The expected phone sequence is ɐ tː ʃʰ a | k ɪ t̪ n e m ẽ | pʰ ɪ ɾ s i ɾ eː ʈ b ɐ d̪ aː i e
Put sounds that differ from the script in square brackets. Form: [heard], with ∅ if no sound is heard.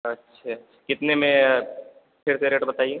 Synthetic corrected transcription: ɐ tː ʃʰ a | k ɪ t̪ n e m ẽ | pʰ ɪ ɾ s [e] ɾ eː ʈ b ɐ [t̪] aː i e